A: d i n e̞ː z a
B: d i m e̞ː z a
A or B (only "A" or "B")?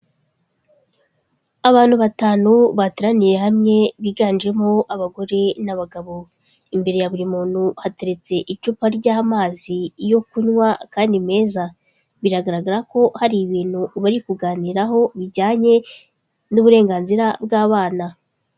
B